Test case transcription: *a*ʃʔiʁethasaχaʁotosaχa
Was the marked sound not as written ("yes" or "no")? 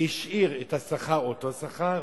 yes